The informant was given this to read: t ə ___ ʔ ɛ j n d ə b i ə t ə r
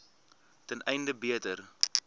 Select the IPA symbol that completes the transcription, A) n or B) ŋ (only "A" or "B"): A